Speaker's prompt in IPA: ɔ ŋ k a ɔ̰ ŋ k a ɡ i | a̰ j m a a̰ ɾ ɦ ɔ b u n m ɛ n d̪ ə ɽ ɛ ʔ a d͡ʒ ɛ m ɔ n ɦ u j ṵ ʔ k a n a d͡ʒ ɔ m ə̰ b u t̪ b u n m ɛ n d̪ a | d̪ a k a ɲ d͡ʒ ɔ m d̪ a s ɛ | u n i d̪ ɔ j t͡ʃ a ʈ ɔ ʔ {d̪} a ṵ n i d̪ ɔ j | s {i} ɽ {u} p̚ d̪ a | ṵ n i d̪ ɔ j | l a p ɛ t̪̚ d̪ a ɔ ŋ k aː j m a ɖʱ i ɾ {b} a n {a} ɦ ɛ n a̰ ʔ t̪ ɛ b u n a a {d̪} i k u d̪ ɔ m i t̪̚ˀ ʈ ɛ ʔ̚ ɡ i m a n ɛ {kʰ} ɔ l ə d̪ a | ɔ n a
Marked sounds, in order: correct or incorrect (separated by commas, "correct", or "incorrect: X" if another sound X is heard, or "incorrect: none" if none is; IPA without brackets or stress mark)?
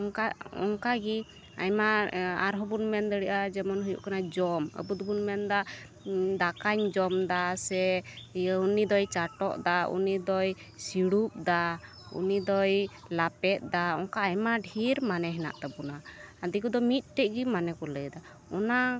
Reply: correct, correct, correct, incorrect: m, incorrect: ɛ, correct, incorrect: k